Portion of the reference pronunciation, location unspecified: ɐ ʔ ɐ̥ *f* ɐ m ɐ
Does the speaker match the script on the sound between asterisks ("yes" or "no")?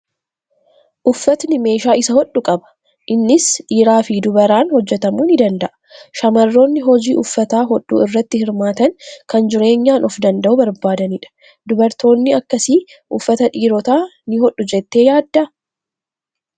no